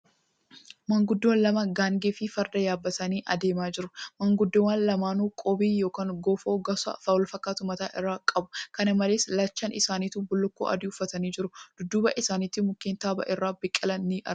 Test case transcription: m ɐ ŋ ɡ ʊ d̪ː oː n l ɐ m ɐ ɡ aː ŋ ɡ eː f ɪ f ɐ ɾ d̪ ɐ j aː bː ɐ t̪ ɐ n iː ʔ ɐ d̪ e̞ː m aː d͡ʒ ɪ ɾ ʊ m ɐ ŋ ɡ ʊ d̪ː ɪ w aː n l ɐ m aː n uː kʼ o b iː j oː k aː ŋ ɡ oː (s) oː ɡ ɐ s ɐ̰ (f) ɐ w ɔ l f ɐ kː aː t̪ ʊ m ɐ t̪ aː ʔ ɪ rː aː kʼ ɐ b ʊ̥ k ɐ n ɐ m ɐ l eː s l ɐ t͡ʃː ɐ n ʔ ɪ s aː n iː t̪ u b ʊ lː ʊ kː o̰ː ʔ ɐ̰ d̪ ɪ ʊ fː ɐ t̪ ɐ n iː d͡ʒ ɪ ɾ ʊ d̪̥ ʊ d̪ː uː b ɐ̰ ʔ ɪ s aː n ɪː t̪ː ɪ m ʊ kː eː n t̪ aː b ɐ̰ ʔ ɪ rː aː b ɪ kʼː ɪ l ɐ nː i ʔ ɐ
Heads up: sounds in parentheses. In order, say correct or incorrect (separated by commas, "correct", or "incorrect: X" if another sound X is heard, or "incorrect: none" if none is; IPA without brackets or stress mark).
incorrect: f, correct